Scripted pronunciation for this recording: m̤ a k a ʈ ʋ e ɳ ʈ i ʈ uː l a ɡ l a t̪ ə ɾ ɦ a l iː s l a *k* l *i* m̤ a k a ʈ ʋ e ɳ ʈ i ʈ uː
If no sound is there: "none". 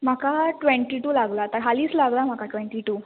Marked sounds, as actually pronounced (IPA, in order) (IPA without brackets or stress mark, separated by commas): ɡ, a